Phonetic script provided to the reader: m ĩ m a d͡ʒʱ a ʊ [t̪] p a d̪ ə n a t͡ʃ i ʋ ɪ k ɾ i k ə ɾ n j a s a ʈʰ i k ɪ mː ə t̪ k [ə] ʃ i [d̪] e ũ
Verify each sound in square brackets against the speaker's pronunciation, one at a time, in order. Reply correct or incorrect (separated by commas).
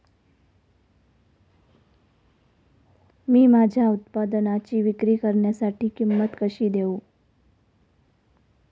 correct, correct, correct